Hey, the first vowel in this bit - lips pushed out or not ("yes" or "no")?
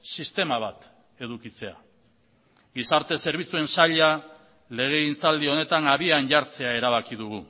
no